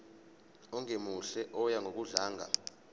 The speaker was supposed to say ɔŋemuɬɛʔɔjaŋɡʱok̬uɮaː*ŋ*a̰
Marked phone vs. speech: correct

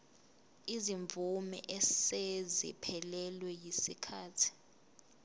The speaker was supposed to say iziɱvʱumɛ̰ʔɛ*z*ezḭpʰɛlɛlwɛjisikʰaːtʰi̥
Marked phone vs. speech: incorrect: s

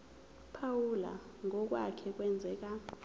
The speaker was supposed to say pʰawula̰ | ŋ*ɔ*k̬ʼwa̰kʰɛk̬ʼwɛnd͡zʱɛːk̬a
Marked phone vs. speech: correct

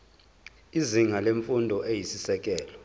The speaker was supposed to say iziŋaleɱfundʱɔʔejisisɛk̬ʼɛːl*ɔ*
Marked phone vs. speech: correct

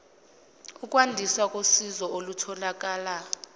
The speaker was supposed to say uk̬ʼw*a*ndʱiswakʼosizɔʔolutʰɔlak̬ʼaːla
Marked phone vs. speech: correct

